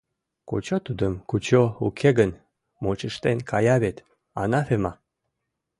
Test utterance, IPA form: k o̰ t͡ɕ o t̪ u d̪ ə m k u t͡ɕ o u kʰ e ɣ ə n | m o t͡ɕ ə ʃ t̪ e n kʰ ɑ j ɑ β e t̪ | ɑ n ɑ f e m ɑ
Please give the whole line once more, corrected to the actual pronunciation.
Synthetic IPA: k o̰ t͡ɕ o t̪ u d̪ ə m k u t͡ɕ o u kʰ e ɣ ə n | m o t͡ɕ ə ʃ t̪ e n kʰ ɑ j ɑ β e t̪ | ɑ n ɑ f e m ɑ